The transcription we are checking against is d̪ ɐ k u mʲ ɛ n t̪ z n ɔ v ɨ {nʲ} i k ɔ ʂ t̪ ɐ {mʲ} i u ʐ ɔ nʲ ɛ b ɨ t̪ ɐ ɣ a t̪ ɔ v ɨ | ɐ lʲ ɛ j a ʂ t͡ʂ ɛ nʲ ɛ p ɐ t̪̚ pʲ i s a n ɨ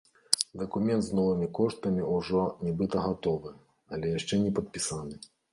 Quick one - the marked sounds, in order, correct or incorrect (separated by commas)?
incorrect, correct